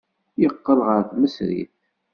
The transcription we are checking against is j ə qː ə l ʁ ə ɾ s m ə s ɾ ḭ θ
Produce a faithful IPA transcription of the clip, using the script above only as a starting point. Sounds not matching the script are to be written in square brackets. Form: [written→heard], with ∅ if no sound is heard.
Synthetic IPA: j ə qː ə l ʁ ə ɾ [s→θ] m ə s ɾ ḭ θ

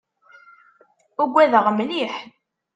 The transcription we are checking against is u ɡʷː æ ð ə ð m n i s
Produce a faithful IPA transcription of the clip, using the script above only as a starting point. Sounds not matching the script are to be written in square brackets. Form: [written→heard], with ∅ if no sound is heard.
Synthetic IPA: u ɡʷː æ ð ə [ð→ʁ] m n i [s→ħ]

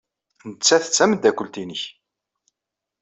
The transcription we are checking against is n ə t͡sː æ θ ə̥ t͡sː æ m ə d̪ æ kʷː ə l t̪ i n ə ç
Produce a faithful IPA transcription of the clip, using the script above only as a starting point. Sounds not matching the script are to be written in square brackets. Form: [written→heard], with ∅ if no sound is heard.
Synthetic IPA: n ə t͡sː æ θ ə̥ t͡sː æ m ə d̪ æ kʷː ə l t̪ i n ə ç

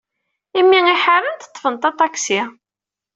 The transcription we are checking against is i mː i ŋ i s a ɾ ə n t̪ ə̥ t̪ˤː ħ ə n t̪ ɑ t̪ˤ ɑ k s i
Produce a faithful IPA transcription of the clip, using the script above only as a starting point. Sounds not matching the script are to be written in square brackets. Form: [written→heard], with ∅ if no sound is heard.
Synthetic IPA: i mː i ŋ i [s→ħ] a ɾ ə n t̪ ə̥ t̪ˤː [ħ→f] ə n t̪ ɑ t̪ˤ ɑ k s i

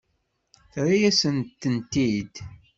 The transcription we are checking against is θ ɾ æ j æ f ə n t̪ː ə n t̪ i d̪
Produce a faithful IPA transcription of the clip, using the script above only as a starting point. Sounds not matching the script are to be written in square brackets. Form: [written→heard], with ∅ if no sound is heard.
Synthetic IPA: θ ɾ [æ→i] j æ [f→s] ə n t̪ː ə n t̪ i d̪

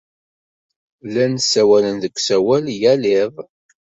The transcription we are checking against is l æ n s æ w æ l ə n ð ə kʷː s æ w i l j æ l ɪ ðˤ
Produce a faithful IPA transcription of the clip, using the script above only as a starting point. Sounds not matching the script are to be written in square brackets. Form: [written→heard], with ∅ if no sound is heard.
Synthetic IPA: l æ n s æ w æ l ə n ð ə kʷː s æ w [i→æ] l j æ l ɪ ðˤ

